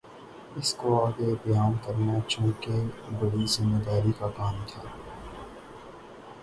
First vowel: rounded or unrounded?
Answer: unrounded